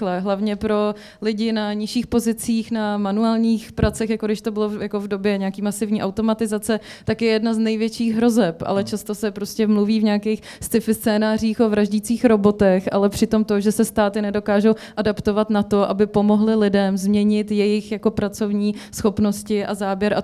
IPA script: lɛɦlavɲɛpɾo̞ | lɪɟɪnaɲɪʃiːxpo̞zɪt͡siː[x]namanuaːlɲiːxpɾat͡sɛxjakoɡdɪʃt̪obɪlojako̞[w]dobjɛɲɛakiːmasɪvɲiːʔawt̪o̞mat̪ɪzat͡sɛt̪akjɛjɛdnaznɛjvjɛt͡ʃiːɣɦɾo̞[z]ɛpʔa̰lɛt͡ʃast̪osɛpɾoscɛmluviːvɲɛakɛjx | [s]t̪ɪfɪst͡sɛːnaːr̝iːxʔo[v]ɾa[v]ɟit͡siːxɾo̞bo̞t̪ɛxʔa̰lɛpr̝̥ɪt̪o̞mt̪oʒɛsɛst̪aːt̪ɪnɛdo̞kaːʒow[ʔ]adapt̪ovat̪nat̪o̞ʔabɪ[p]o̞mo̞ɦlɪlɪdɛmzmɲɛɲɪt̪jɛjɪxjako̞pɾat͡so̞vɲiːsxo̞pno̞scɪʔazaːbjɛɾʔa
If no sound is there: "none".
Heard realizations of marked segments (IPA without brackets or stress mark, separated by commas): x, v, z, s, v, ʒ, ʔ, p